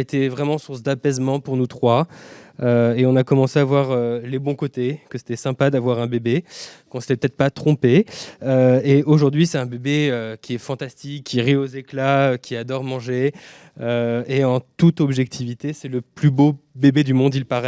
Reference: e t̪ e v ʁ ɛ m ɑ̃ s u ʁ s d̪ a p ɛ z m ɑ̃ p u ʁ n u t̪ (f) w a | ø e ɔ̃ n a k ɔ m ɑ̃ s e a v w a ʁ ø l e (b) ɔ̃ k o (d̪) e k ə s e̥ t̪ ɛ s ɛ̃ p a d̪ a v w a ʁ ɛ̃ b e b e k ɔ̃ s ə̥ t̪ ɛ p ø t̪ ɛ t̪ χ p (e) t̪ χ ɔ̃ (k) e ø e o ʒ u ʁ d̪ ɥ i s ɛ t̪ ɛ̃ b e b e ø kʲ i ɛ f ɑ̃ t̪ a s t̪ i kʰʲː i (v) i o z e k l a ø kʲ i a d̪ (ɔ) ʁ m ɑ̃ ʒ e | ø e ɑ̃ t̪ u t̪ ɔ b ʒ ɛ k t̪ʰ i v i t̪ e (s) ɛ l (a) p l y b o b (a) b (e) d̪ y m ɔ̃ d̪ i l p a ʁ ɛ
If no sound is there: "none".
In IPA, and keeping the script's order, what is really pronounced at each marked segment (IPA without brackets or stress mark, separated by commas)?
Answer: χ, b, t̪, a, p, ʁ, ɔ, s, ə, e, e